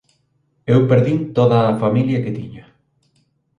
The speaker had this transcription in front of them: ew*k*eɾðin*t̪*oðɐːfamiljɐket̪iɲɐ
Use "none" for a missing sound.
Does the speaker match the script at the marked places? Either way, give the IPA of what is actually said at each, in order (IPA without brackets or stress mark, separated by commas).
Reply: p, t̪